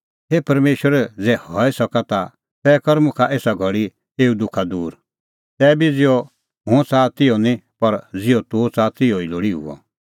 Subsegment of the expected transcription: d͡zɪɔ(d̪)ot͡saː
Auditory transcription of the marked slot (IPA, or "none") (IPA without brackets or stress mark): t̪